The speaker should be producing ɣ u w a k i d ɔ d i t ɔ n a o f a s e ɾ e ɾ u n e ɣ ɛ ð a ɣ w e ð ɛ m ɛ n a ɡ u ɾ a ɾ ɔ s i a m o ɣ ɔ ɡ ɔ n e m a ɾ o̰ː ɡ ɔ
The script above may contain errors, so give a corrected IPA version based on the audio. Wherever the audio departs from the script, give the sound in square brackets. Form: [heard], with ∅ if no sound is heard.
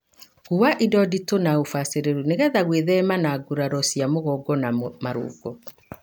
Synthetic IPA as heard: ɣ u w a [ʔ] i d ɔ d i t [o] n a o f a s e ɾ e ɾ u n e ɣ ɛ ð a ɣ w e ð ɛ m [a] n a ɡ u ɾ a ɾ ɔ s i a m o ɣ ɔ ɡ ɔ n [a] m a ɾ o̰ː ɡ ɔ